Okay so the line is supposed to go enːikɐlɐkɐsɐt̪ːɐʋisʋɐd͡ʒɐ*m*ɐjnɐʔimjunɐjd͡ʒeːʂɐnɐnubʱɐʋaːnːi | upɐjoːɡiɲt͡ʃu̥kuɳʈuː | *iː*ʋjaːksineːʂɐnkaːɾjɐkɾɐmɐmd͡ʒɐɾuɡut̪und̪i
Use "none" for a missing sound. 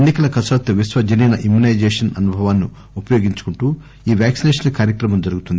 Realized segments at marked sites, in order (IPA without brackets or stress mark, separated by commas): n, iː